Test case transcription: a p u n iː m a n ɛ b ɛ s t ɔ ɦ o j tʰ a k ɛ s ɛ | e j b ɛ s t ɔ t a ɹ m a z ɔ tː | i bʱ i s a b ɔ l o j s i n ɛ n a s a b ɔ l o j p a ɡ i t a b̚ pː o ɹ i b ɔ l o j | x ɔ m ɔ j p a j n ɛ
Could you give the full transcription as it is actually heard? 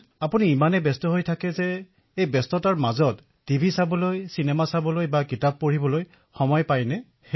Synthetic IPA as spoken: a p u n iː m a n ɛ b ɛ s t ɔ ɦ o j tʰ a k ɛ z ɛ | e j b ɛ s t ɔ t a ɹ m a z ɔ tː | i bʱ i s a b ɔ l o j s i n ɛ m a s a b ɔ l o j b a k i t a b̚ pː o ɹ i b ɔ l o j | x ɔ m ɔ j p a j n ɛ